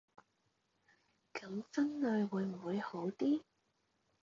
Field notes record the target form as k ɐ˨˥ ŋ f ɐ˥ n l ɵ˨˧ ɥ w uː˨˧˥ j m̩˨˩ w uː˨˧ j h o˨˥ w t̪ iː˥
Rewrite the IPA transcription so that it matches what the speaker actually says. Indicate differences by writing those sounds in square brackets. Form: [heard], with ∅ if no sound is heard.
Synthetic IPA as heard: k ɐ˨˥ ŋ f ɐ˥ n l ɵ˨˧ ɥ w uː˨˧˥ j m̩˨˩ w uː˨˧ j h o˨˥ w t̪ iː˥

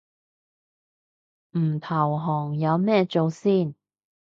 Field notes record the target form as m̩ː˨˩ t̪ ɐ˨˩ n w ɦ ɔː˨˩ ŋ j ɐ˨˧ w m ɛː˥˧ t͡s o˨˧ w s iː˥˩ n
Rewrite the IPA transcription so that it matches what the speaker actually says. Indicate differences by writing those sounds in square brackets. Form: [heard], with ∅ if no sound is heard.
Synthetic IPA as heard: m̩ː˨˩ [t̪ʰ] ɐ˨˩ [∅] w ɦ ɔː˨˩ ŋ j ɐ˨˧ w m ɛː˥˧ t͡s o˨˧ w s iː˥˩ n

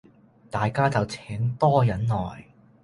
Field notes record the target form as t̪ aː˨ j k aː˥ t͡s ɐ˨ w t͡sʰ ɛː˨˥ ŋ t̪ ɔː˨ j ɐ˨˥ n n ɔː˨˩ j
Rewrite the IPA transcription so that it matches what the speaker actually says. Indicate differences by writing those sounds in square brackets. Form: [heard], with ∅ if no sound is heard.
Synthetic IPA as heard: t̪ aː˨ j k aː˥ t͡s ɐ˨ w t͡sʰ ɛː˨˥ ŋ t̪ [ɔː˥] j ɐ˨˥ n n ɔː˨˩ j

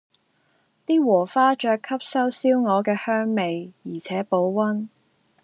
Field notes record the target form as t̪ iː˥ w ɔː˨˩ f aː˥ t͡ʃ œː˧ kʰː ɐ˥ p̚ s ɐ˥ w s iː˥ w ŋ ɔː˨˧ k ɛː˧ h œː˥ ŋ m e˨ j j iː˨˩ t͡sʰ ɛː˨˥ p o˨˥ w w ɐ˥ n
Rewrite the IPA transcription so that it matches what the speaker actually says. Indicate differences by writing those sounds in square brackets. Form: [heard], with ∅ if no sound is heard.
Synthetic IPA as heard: t̪ iː˥ w ɔː˨˩ f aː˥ t͡ʃ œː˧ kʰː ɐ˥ p̚ s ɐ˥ w s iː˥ w ŋ ɔː˨˧ k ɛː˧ h œː˥ ŋ m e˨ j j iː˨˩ t͡sʰ ɛː˨˥ p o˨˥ w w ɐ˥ n

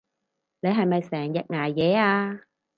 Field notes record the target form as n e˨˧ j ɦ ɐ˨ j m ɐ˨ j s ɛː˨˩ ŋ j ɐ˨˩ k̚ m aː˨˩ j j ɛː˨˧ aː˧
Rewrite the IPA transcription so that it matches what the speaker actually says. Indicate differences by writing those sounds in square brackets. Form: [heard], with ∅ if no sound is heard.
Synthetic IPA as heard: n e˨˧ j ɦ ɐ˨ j m ɐ˨ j s ɛː˨˩ ŋ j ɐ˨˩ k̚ [ŋ] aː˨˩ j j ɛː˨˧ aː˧

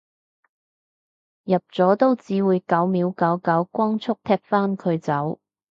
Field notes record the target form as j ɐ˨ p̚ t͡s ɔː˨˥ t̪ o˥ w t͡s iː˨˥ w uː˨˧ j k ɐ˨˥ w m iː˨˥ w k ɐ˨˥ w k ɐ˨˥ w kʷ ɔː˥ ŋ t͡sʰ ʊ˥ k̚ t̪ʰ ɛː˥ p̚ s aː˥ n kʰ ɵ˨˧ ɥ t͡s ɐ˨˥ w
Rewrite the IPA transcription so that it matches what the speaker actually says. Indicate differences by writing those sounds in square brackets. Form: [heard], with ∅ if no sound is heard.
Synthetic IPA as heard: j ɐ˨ p̚ t͡s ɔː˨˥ t̪ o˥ w t͡s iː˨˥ w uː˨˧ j k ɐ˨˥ w m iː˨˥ w k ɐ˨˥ w k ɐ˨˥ w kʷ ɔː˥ ŋ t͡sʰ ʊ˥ k̚ t̪ʰ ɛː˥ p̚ [f] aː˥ n kʰ ɵ˨˧ ɥ t͡s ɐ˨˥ w

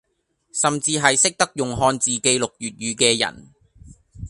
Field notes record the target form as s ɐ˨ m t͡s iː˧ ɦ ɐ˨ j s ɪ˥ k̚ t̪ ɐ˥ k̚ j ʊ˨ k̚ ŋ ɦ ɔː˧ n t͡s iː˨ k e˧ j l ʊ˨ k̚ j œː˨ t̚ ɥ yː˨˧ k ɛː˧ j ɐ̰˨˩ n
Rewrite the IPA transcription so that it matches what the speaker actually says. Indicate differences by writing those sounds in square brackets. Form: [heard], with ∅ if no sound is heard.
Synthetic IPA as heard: s ɐ˨ m t͡s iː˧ ɦ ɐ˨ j s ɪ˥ k̚ t̪ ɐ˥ k̚ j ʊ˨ [∅] ŋ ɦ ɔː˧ n t͡s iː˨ k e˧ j l ʊ˨ k̚ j [yː˨] t̚ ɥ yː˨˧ k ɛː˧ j ɐ̰˨˩ n

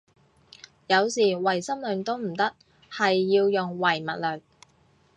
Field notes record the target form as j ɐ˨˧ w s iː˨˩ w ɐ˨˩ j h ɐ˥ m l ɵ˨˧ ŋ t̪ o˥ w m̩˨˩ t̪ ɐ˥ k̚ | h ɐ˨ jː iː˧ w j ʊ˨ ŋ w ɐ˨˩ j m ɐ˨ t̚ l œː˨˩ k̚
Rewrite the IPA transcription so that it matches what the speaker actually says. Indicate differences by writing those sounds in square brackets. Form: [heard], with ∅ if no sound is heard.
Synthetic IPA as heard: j ɐ˨˧ w s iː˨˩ w ɐ˨˩ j [s] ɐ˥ m l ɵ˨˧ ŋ t̪ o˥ w m̩˨˩ t̪ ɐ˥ k̚ | h ɐ˨ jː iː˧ w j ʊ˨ ŋ w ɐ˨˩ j m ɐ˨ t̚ l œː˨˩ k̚

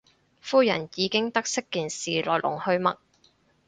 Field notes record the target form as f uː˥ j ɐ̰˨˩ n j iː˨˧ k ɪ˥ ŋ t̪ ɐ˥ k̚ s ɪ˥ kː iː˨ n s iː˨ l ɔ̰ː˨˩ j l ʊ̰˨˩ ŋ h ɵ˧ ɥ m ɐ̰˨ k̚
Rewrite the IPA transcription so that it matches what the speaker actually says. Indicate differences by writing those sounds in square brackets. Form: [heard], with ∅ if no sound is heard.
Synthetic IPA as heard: f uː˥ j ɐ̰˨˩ n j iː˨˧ k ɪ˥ ŋ t̪ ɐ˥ k̚ s ɪ˥ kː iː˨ n s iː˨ l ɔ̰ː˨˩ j l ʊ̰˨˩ ŋ h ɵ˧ ɥ m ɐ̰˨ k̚

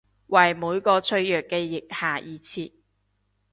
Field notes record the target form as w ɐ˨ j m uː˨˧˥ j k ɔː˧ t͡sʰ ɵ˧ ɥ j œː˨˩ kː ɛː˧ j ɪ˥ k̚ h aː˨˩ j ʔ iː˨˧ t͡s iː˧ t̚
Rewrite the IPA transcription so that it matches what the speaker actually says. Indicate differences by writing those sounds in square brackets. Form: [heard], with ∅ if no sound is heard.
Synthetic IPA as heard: w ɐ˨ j m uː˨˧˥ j k ɔː˧ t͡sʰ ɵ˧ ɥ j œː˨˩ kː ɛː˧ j [ɪ˨] k̚ h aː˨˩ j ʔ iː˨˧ [t͡sʰ] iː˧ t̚

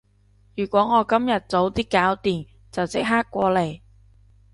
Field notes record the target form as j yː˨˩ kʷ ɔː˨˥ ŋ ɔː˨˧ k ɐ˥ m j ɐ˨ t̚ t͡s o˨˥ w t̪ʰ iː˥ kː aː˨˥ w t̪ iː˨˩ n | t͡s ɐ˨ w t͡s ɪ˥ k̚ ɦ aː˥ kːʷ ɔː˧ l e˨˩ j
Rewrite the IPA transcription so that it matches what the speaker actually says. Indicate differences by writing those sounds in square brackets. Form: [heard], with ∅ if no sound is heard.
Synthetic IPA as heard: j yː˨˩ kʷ ɔː˨˥ ŋ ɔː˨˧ k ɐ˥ m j ɐ˨ t̚ t͡s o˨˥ w [t̪] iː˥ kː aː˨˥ w t̪ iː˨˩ n | t͡s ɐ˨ w t͡s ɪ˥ k̚ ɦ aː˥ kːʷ ɔː˧ l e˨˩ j

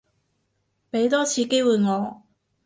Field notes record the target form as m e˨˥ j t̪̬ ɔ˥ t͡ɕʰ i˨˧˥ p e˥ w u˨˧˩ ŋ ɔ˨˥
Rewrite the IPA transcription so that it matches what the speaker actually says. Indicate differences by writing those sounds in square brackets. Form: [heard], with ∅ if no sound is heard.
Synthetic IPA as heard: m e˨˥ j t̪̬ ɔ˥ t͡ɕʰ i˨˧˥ [k] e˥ w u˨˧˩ ŋ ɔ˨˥

